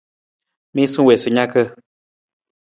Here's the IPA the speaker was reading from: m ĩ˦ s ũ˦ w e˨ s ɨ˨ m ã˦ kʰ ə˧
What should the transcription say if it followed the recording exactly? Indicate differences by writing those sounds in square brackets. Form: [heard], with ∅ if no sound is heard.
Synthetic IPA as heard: m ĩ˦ s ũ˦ w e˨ s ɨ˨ [ɲ] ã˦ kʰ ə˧